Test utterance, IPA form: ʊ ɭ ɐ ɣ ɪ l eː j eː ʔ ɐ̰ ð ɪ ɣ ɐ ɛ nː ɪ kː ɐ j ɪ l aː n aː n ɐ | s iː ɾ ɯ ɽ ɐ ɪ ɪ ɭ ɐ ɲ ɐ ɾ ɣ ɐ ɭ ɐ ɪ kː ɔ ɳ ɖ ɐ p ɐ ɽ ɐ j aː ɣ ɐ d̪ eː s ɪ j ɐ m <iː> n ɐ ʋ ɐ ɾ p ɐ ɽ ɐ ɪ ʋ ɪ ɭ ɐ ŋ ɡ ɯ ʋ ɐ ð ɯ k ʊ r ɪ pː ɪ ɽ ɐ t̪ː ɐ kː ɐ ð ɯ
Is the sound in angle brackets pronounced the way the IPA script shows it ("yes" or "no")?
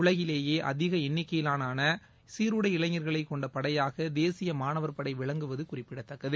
no